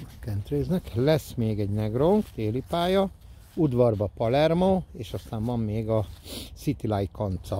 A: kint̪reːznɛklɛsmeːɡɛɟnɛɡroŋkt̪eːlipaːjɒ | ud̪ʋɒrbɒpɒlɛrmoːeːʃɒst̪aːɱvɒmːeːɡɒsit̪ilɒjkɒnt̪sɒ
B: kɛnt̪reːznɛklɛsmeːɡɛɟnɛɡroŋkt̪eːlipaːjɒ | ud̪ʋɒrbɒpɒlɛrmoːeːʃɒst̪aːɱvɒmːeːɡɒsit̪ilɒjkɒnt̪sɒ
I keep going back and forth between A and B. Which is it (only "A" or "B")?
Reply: B